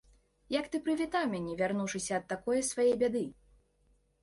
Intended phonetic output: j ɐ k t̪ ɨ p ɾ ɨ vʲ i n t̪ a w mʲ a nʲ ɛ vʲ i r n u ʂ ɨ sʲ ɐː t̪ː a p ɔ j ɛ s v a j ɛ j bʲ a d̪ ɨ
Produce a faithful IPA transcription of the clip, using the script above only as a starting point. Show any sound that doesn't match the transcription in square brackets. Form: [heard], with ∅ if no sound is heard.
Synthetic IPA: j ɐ k t̪ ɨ p ɾ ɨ vʲ i [∅] t̪ a w mʲ a nʲ ɛ vʲ [a] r n u ʂ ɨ sʲ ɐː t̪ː a [k] ɔ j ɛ s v a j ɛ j bʲ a d̪ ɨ